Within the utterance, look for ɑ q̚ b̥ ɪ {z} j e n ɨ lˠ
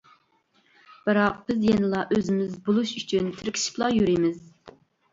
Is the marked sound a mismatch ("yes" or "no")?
no